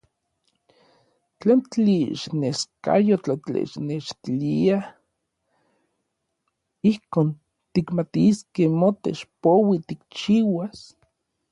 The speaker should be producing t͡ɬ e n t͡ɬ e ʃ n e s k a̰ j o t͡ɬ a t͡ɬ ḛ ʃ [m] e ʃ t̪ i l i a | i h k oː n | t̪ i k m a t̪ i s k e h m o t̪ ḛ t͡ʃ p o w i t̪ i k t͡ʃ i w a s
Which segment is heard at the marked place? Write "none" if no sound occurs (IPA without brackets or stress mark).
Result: n